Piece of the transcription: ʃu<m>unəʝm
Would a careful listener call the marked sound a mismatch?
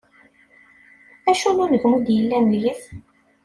yes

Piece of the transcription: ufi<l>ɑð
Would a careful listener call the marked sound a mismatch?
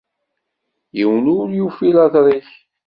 no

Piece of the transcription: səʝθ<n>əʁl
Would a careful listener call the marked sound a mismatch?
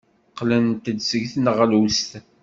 no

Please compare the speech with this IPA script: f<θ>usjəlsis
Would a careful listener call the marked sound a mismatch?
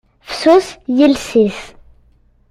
yes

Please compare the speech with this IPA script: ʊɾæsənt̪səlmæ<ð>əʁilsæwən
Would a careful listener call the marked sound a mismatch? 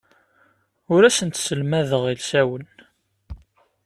no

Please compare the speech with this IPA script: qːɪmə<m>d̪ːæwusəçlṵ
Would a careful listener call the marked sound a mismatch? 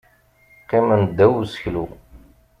yes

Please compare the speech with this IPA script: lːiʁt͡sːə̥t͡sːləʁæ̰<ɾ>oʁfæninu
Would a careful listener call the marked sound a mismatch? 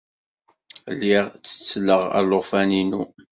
yes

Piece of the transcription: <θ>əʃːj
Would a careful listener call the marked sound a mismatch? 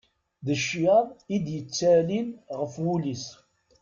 yes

